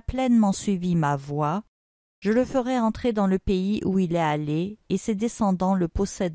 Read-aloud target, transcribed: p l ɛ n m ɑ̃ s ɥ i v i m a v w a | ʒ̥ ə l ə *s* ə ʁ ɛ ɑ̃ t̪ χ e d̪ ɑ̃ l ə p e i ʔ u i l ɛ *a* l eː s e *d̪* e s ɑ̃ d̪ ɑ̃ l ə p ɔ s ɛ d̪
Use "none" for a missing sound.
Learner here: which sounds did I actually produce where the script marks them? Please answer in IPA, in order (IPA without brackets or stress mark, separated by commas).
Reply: f, a, d̪